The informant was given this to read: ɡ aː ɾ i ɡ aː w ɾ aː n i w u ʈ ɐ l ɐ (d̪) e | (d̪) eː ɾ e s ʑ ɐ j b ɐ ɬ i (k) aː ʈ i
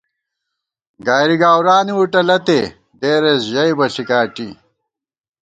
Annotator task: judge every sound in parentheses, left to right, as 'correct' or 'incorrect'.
incorrect: t̪, correct, correct

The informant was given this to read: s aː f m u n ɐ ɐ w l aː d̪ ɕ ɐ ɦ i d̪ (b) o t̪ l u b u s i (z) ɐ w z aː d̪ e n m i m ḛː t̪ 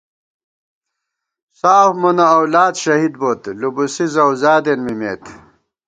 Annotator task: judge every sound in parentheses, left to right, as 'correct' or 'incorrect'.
correct, correct

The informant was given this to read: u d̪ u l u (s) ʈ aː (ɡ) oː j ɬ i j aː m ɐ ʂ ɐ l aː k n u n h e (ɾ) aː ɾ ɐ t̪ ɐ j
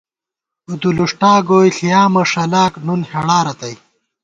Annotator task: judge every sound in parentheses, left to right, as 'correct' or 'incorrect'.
incorrect: ʂ, correct, incorrect: ɽ

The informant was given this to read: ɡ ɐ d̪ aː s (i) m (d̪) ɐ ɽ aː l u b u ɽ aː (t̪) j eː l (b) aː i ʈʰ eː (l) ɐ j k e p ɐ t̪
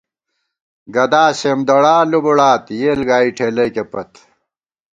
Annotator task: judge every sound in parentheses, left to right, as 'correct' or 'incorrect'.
incorrect: e, correct, correct, incorrect: ɡ, correct

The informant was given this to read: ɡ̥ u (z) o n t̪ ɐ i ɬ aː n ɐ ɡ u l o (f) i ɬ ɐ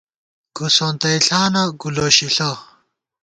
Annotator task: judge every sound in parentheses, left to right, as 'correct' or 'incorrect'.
incorrect: s, incorrect: ɕ

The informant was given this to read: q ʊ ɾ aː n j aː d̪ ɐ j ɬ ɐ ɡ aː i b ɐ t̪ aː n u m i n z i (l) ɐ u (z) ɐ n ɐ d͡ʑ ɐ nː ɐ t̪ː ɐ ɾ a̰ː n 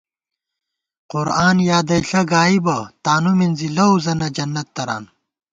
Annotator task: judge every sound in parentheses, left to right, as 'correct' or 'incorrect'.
correct, correct

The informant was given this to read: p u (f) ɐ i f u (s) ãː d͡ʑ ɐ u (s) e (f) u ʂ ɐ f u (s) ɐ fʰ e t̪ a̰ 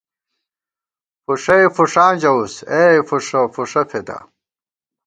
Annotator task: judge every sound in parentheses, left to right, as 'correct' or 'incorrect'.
incorrect: ʂ, incorrect: ʂ, correct, correct, incorrect: ʂ

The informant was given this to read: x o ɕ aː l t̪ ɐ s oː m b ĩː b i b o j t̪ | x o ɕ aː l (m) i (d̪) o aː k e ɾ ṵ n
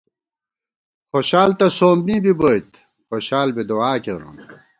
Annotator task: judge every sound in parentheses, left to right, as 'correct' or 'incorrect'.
incorrect: b, correct

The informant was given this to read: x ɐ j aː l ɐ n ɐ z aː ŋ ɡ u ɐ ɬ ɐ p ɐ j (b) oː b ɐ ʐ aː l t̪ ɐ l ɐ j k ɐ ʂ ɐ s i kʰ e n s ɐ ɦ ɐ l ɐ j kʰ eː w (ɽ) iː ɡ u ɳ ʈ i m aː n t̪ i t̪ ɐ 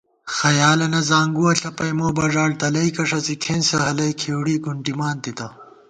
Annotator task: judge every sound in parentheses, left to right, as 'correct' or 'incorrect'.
incorrect: m, correct

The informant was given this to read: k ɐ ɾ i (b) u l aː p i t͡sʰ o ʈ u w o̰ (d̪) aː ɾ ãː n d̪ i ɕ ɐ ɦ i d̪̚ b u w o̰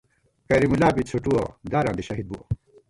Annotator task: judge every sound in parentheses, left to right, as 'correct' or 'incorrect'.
incorrect: m, correct

